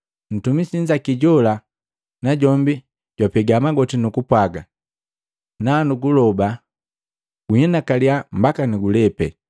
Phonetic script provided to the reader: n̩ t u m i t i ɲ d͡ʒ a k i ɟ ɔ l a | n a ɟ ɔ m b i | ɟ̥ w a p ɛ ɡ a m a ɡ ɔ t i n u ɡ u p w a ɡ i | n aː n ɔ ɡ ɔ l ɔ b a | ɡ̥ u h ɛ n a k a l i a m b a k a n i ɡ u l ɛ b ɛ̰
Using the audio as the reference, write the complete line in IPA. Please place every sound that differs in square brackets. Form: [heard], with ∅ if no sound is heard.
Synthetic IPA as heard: n̩ t u m i [s] i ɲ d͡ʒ a k i ɟ ɔ l a | n a ɟ ɔ m b i | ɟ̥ w a p ɛ ɡ a m a ɡ ɔ t i n u [k] u p w a ɡ [a] | n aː n [u] ɡ [u] l ɔ b a | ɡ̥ u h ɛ n a k a l i a m b a k a n i ɡ u l ɛ [p] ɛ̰